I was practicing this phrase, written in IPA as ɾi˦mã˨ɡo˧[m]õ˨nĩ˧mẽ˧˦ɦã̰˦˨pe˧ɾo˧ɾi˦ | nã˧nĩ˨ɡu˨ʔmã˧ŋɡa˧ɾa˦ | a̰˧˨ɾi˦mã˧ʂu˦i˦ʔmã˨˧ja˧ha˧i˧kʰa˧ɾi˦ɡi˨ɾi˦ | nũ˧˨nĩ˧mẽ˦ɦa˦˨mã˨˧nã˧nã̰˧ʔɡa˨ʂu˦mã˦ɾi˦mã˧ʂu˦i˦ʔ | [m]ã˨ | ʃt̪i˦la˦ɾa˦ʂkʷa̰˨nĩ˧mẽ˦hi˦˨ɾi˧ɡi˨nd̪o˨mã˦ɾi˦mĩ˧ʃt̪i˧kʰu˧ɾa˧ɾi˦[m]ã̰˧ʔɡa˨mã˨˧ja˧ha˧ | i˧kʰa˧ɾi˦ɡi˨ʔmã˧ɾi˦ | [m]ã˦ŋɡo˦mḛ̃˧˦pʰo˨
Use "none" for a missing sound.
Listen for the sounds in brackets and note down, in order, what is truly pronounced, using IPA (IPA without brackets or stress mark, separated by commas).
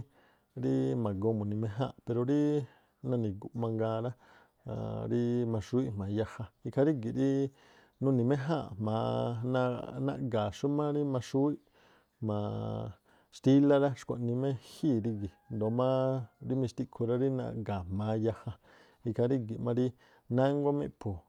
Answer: m, m, n, n